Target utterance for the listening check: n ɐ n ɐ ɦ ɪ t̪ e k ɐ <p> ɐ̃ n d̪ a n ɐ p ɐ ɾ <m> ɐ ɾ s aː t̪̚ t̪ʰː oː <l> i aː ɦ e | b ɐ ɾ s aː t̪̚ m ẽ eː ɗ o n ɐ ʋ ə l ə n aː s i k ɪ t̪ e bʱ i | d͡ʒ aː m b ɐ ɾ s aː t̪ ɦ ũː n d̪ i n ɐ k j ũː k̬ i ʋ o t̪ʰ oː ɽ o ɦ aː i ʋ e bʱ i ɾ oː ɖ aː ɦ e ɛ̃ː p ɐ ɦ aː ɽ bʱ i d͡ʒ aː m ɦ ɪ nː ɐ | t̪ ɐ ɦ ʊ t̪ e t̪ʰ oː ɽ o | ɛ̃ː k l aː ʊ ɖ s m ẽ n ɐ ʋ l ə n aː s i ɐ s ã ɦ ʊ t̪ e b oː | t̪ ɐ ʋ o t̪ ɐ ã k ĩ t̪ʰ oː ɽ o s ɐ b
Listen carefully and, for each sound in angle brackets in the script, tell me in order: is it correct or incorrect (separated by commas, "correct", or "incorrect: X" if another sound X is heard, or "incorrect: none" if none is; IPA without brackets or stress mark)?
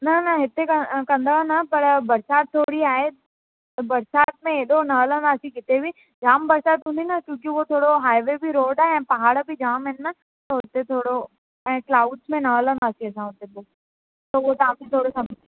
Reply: incorrect: k, incorrect: b, incorrect: ɽ